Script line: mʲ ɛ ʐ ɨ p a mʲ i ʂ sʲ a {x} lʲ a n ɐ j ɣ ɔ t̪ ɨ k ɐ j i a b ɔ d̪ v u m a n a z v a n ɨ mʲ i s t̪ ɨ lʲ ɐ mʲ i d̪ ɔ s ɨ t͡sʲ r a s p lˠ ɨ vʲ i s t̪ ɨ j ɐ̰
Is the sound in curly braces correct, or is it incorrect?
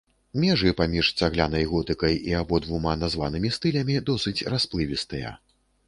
incorrect